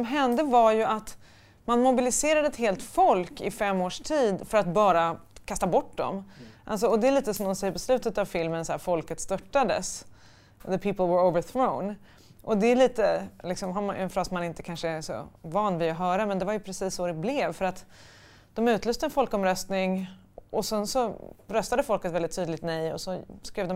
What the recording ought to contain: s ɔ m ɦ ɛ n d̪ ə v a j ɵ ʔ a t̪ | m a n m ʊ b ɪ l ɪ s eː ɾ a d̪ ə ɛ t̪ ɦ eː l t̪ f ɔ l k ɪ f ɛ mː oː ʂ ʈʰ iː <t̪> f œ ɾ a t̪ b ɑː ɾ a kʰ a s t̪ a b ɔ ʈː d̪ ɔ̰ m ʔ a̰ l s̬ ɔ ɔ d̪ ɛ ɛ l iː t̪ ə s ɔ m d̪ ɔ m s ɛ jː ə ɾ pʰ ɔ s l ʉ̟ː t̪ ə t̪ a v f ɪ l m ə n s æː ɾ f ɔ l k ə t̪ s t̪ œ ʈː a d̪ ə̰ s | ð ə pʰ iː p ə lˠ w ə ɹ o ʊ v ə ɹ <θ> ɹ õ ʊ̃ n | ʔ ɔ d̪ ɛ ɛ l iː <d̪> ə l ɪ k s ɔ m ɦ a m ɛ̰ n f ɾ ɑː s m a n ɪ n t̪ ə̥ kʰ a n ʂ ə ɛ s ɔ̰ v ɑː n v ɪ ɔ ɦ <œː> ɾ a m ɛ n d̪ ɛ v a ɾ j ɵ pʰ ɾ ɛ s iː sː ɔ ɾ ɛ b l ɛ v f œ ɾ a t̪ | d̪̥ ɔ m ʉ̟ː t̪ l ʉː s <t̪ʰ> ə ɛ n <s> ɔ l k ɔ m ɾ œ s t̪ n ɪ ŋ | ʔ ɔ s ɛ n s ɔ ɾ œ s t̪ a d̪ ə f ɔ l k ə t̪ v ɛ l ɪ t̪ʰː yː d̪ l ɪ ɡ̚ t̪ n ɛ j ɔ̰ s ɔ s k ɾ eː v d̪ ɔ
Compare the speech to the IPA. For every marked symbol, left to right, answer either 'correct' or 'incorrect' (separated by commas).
incorrect, correct, incorrect, correct, incorrect, incorrect